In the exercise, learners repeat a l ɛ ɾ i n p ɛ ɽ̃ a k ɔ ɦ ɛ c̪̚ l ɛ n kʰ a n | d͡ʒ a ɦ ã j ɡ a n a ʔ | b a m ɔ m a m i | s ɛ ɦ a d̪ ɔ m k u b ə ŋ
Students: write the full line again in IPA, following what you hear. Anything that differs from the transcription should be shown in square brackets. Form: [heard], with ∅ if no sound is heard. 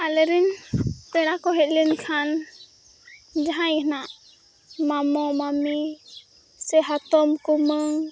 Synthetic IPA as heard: a l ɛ ɾ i n p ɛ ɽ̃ a k ɔ ɦ ɛ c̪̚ l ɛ n kʰ a n | d͡ʒ a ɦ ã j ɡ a n a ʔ | [m] a m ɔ m a m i | s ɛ ɦ a [t̪] ɔ m k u [m] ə ŋ